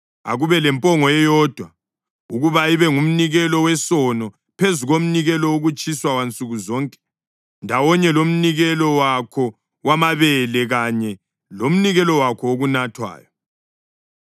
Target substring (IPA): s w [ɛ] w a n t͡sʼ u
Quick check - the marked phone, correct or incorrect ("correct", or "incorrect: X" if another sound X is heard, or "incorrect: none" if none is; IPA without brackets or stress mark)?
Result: incorrect: a